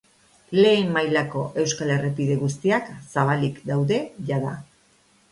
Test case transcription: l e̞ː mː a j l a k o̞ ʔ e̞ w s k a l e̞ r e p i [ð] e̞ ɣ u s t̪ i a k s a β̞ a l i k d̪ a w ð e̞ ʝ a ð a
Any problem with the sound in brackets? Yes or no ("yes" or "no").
no